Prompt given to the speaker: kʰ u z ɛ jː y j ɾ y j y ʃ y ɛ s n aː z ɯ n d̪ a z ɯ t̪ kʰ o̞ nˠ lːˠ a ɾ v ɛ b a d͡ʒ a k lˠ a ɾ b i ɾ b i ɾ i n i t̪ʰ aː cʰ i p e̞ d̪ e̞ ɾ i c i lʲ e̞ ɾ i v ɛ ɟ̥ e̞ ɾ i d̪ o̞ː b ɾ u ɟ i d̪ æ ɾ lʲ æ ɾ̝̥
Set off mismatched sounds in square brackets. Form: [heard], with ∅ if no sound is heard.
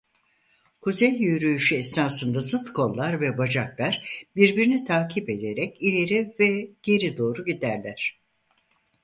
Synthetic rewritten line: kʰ u z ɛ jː y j ɾ y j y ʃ y ɛ s n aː [s] ɯ n d̪ a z ɯ t̪ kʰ o̞ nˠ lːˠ a ɾ v ɛ b a d͡ʒ a k lˠ a ɾ b i ɾ b i ɾ i n i t̪ʰ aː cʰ i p e̞ d̪ e̞ ɾ [ɛ] c i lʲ e̞ ɾ i v ɛ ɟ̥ e̞ ɾ i d̪ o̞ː [∅] ɾ u ɟ i d̪ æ ɾ lʲ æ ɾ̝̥

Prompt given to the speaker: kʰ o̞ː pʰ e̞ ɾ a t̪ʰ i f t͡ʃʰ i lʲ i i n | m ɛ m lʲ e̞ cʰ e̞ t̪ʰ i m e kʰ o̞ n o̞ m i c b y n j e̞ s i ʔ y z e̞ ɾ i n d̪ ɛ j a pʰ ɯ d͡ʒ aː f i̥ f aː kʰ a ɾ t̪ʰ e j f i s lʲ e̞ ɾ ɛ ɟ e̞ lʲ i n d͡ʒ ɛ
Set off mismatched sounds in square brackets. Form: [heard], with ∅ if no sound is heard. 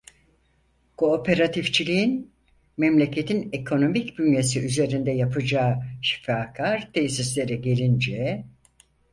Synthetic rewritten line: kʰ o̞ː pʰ e̞ ɾ a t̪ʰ i f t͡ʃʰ i lʲ i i n | m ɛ m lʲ e̞ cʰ e̞ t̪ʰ i [n] e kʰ o̞ n o̞ m i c b y n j e̞ s i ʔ y z e̞ ɾ i n d̪ ɛ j a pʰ ɯ d͡ʒ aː [ʃ] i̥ f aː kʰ a ɾ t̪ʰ e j [s] i s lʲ e̞ ɾ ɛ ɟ e̞ lʲ i n d͡ʒ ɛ

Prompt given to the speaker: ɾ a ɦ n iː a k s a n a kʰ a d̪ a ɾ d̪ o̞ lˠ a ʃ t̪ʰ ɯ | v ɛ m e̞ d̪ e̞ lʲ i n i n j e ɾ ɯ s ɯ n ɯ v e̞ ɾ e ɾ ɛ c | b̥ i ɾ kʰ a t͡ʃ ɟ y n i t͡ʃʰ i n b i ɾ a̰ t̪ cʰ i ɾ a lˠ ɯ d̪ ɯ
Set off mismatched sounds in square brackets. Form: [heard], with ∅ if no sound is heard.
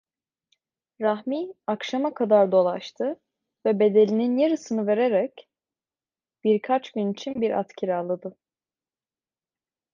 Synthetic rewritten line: ɾ a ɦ [m] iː a k [ʃ] a [m] a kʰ a d̪ a ɾ d̪ o̞ lˠ a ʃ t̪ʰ ɯ | v ɛ [b] e̞ d̪ e̞ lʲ i n i n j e ɾ ɯ s ɯ n ɯ v e̞ ɾ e ɾ ɛ c | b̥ i ɾ kʰ a t͡ʃ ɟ y n i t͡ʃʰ i n b i ɾ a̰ t̪ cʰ i ɾ a lˠ ɯ d̪ ɯ

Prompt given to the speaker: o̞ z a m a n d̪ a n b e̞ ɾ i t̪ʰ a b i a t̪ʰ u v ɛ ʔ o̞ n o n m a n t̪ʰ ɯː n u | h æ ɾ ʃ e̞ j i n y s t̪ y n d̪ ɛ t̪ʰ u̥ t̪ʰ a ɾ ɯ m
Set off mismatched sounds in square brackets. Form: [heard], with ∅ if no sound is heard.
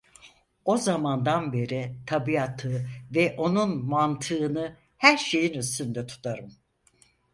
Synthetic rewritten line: o̞ z a m a n d̪ a n b e̞ ɾ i t̪ʰ a b i a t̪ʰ [ɯ] v ɛ ʔ o̞ n [u] n m a n t̪ʰ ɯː n [ɯ] | h æ ɾ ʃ e̞ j i n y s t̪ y n d̪ ɛ t̪ʰ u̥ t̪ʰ a ɾ ɯ m

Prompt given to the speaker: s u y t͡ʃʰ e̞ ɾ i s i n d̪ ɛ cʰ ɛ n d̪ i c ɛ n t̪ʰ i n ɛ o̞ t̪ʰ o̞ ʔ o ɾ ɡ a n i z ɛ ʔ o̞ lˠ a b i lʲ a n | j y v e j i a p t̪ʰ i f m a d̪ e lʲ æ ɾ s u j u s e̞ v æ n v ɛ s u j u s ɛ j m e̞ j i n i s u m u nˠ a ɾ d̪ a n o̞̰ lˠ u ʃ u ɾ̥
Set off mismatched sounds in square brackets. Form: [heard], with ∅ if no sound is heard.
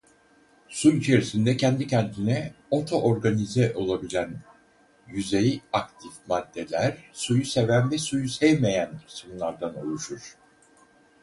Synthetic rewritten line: s u y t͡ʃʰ e̞ ɾ i s i n d̪ ɛ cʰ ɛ n d̪ i c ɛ n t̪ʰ i n ɛ o̞ t̪ʰ o̞ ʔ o ɾ ɡ a n i z ɛ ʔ o̞ lˠ a b i lʲ [æ] n | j y [z] e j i a [k] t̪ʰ i f m a [d̪ː] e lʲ æ ɾ s u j u s e̞ v æ n v ɛ s u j u s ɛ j m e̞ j [æ] n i s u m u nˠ a ɾ d̪ a n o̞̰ lˠ u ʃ u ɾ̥

